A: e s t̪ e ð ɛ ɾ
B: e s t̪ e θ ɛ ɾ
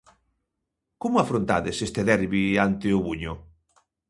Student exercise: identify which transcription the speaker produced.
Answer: A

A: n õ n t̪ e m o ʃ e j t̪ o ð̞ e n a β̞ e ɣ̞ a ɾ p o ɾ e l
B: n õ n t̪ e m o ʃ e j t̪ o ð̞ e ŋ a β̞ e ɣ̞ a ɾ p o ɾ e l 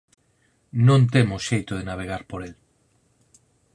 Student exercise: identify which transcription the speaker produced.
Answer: A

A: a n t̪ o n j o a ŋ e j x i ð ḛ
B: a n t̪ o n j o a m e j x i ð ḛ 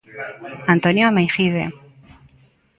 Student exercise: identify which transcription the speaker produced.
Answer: B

